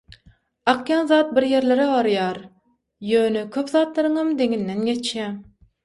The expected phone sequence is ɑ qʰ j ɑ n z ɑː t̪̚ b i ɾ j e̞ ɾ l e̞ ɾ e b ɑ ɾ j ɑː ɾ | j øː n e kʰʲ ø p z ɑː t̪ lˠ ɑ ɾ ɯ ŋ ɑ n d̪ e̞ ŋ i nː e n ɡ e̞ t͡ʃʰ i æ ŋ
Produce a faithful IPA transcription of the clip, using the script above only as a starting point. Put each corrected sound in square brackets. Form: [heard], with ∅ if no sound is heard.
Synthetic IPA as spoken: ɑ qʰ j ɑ n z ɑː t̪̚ b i ɾ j e̞ ɾ l e̞ ɾ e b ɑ ɾ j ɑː ɾ | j øː n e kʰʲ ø p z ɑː t̪ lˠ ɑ ɾ ɯ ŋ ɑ [m] d̪ e̞ ŋ i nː e n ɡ e̞ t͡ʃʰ [j] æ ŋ